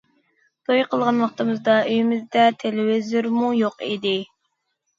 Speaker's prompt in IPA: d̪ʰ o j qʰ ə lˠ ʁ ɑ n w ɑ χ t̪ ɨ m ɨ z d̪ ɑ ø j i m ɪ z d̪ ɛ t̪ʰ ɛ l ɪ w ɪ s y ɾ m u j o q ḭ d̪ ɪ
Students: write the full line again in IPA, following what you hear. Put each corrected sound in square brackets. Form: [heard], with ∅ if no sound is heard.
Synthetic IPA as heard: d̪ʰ o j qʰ ə lˠ ʁ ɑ n w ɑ χ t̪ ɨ m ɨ z d̪ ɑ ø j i m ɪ z d̪ ɛ t̪ʰ [e] l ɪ w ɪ [z] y ɾ m u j o q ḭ d̪ ɪ